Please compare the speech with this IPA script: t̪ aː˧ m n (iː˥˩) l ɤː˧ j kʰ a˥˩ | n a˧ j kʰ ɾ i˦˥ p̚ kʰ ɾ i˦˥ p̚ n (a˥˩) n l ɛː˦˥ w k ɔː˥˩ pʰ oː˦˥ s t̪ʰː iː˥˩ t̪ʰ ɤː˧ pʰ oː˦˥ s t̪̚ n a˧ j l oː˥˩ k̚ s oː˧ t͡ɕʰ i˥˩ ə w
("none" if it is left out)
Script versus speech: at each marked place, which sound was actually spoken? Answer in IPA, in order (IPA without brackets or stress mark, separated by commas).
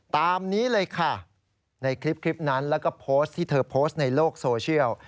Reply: iː˦˥, a˦˥